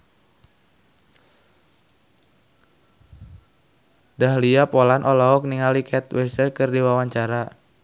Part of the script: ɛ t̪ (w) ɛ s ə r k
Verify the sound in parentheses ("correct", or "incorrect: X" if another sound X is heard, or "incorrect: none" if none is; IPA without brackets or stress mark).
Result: correct